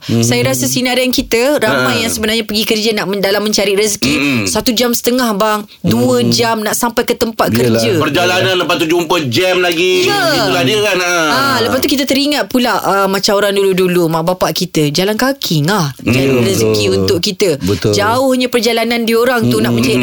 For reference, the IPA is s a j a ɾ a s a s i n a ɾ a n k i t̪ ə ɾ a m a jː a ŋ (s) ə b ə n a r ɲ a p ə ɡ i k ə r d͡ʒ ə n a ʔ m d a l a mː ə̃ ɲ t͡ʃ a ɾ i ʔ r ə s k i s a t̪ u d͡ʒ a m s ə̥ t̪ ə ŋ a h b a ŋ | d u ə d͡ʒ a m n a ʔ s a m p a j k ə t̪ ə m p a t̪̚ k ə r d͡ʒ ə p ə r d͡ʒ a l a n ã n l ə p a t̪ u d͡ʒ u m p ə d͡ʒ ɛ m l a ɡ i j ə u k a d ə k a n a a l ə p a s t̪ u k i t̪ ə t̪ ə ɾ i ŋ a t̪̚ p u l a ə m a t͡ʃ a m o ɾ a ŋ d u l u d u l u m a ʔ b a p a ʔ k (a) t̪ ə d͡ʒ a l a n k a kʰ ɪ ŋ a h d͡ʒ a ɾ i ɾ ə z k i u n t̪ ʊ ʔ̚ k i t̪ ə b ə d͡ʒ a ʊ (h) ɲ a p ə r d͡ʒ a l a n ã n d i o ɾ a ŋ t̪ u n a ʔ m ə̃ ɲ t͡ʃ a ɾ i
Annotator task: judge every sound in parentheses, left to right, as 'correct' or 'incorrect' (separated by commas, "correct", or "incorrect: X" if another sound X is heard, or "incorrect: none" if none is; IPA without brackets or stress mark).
correct, incorrect: i, correct